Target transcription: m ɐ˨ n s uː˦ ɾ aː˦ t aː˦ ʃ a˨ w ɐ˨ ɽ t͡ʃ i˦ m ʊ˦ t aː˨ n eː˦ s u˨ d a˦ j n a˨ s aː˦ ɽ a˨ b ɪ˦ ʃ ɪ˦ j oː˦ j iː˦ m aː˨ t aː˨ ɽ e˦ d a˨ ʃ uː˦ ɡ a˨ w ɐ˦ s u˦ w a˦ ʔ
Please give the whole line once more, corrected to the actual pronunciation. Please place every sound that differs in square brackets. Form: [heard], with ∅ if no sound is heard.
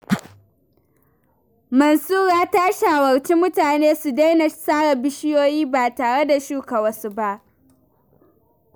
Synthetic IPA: m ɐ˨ n s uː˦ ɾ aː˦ t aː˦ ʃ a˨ w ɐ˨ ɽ t͡ʃ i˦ m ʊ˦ t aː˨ n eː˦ s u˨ d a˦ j n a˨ s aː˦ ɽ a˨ b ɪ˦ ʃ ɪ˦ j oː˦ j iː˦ [b] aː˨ t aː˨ ɽ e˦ d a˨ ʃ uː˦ [k] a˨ w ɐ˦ s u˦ [b] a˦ ʔ